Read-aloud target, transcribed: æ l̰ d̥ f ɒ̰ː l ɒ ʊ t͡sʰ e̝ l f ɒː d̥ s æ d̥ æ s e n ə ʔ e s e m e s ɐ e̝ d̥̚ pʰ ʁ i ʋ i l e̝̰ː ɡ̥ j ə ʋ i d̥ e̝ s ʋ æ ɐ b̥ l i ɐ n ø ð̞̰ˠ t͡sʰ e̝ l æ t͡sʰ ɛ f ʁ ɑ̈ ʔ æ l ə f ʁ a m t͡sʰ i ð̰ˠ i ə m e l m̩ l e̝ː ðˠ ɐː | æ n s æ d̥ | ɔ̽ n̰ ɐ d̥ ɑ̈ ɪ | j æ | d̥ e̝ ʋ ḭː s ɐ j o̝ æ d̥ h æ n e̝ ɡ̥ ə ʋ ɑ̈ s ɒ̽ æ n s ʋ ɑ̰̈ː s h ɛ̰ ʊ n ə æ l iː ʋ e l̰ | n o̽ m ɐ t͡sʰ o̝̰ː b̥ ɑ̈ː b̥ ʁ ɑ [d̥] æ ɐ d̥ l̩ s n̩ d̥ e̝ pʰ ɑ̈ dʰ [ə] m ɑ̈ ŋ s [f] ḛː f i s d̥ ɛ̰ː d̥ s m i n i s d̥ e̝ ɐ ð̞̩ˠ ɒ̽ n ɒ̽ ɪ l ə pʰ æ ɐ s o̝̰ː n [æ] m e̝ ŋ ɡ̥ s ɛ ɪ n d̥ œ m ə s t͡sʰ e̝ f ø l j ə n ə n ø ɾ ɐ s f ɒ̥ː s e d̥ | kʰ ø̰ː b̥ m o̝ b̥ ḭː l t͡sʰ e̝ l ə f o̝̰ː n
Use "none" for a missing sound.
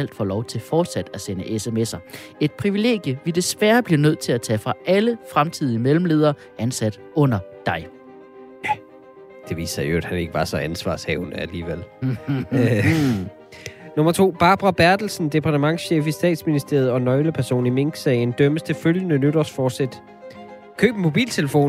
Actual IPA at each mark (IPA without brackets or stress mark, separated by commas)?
b̥, ə, ɕ, i